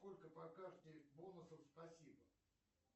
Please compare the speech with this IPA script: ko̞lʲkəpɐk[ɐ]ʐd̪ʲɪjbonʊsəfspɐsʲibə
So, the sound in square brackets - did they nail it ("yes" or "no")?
no